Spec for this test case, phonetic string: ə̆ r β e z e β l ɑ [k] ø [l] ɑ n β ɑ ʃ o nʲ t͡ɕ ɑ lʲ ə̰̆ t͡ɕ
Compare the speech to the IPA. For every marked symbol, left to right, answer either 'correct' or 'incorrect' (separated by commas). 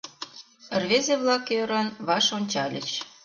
correct, incorrect